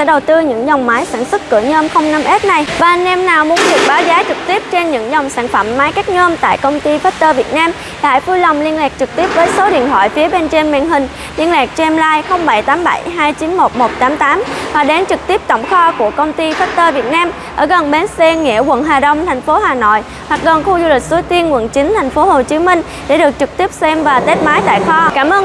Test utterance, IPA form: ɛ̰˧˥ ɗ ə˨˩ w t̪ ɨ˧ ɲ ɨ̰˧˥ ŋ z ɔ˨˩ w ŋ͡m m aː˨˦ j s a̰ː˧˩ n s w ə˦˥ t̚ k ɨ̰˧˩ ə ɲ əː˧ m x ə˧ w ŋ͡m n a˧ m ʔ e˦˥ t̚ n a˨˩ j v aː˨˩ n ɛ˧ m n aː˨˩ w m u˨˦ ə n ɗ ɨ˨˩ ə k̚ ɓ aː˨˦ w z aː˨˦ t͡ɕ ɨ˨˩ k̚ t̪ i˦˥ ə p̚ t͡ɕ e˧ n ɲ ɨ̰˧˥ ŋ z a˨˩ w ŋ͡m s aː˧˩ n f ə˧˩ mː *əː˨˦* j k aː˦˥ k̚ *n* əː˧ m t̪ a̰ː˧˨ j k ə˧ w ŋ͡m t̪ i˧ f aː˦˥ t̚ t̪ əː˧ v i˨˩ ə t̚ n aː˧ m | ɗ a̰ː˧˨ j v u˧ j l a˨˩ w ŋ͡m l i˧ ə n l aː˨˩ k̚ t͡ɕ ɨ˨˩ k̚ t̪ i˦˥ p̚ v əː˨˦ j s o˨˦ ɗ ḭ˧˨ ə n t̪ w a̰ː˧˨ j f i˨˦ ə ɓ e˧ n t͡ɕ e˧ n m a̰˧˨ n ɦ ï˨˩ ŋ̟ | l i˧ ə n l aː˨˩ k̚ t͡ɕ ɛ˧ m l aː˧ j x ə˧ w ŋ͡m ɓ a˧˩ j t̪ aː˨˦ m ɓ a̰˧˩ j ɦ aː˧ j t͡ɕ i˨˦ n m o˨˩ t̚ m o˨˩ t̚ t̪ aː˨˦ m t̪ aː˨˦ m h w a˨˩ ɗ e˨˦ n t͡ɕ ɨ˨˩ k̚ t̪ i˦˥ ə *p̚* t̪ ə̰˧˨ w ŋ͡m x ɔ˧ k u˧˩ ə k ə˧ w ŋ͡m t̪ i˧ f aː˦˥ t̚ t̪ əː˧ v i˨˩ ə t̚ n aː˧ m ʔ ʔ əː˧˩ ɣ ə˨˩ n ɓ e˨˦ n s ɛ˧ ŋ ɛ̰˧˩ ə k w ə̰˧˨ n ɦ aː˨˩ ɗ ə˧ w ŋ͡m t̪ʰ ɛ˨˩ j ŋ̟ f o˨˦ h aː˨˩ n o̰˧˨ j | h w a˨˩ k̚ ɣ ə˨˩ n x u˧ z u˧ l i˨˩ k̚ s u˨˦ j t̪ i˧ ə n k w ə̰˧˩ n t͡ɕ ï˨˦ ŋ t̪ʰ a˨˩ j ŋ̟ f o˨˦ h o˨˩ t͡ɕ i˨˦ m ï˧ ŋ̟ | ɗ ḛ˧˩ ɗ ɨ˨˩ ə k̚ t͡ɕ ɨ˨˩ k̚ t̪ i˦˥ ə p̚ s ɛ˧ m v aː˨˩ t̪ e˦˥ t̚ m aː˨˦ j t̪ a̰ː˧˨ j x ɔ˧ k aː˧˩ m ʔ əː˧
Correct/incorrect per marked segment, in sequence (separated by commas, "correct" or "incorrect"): incorrect, incorrect, correct